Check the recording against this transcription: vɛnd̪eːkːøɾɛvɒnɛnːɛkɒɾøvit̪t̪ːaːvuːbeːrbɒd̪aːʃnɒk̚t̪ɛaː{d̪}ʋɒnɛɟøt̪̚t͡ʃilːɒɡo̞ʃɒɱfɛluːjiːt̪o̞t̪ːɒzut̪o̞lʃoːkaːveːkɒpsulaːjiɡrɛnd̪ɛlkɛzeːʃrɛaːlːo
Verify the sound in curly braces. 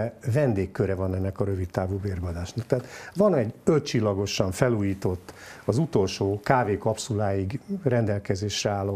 incorrect: t̪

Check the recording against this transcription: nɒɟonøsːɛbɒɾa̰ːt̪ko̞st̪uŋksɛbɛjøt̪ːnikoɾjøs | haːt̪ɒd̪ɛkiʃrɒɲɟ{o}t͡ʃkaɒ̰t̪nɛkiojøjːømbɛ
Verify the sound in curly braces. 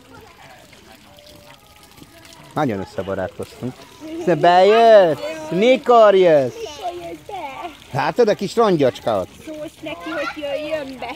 incorrect: ɒ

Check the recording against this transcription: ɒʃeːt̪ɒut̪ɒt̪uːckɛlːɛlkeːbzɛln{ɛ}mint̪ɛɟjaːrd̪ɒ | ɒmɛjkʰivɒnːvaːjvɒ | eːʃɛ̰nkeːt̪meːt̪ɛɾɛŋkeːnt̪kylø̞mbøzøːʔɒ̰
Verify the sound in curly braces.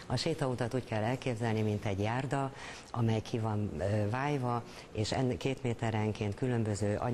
incorrect: i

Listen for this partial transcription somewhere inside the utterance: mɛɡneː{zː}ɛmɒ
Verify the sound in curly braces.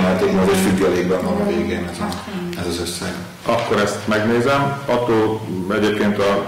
incorrect: z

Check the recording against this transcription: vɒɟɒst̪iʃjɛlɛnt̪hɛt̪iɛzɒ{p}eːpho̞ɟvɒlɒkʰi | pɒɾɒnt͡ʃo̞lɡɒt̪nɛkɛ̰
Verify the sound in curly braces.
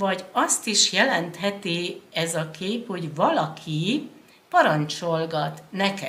incorrect: k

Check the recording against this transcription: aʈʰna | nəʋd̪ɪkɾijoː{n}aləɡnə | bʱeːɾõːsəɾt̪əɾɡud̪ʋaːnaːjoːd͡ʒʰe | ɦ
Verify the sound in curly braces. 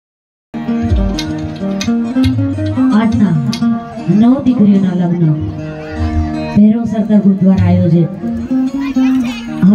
correct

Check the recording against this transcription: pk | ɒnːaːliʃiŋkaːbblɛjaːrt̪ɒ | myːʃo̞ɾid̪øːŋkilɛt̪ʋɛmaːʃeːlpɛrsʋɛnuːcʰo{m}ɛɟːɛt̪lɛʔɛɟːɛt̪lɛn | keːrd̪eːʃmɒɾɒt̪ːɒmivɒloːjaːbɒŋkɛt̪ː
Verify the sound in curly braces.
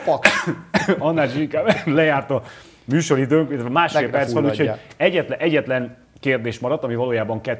incorrect: none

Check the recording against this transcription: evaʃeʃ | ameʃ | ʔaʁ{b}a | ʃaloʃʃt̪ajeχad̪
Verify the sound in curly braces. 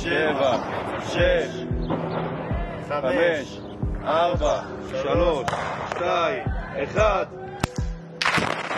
correct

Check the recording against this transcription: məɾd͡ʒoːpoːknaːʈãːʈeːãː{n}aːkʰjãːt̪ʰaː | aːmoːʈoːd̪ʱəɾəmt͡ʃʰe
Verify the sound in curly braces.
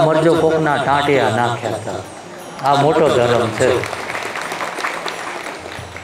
correct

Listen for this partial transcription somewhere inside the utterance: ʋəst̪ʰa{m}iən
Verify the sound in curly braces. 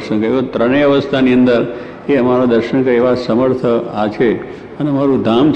incorrect: n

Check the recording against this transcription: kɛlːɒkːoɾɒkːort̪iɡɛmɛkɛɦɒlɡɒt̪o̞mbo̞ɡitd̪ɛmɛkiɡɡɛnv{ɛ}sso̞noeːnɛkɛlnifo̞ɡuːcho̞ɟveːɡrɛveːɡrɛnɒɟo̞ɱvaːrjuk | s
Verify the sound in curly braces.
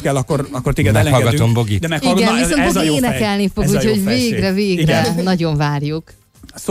incorrect: i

